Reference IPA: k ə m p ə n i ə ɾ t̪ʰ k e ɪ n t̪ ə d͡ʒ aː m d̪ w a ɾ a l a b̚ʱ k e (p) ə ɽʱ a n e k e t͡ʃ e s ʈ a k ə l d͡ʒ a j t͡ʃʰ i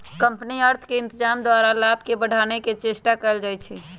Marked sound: incorrect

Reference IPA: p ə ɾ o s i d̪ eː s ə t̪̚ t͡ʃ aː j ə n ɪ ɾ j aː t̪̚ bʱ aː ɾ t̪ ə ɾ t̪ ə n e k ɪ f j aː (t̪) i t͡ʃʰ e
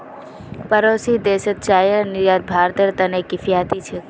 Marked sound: correct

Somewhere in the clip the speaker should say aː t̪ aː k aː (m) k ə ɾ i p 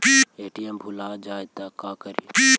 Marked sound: incorrect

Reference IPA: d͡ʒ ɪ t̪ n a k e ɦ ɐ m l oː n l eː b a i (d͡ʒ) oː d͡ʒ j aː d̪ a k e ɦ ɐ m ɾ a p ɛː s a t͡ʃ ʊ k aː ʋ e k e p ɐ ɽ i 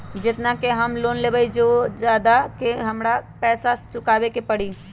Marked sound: correct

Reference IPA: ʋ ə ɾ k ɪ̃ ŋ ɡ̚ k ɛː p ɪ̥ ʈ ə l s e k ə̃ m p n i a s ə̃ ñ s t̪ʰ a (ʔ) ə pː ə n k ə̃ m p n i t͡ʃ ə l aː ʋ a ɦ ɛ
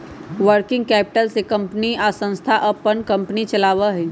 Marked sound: correct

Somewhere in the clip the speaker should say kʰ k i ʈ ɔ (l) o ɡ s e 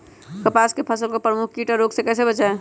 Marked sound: incorrect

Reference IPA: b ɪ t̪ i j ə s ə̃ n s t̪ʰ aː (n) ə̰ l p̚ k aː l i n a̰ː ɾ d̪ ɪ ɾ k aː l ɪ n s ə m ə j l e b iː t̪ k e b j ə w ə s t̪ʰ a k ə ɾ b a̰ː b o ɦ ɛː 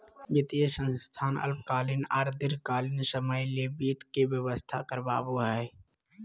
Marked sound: correct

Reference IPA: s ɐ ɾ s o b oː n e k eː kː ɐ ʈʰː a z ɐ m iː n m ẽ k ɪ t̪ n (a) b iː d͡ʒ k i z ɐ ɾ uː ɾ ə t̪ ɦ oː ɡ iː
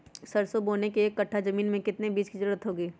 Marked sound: incorrect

